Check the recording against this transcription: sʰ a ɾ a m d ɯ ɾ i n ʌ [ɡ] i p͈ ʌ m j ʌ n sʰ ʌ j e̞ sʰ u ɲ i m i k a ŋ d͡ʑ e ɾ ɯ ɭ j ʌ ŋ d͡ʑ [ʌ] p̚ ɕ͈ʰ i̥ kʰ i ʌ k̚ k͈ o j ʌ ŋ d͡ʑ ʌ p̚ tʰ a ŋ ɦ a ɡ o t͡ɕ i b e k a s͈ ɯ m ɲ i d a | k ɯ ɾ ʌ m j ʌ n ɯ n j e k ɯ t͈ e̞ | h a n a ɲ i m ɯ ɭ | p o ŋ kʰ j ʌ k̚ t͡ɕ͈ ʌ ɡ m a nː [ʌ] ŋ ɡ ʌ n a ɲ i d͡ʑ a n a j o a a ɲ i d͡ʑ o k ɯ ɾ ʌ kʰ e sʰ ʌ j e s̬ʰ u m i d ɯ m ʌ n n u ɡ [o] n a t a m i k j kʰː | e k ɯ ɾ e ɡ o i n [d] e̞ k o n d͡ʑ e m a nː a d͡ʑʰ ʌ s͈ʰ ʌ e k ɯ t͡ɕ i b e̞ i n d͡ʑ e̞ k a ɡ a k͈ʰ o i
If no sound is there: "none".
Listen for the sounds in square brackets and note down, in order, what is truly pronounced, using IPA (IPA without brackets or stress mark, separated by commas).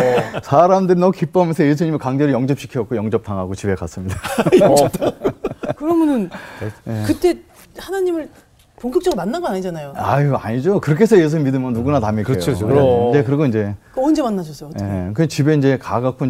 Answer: k, ʌ, a, u, d͡ʑ